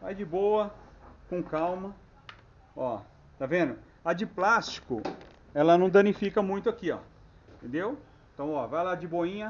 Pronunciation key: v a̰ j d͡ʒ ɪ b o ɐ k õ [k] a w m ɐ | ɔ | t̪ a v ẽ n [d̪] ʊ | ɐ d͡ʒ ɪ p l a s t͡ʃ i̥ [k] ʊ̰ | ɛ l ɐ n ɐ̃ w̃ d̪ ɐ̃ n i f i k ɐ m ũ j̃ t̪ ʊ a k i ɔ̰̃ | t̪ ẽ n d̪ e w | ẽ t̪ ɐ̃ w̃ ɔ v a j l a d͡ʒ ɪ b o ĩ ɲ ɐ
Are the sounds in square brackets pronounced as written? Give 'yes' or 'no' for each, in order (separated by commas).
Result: yes, yes, yes